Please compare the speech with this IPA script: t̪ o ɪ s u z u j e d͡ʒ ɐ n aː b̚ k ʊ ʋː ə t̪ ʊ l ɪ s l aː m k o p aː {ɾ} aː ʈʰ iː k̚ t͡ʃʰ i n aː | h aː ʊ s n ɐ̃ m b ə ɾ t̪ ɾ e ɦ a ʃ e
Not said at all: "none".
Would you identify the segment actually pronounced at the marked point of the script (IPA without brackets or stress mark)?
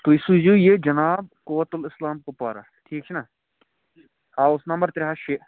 ɾ